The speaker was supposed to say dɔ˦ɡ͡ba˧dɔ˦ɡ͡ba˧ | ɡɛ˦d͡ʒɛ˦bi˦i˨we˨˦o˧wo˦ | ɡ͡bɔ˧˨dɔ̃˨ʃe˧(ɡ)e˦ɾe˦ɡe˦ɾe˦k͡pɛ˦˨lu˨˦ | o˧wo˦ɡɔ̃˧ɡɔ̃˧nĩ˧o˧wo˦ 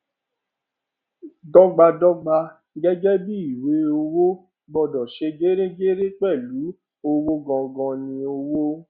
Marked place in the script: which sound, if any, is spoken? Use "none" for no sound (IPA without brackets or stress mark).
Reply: ɡ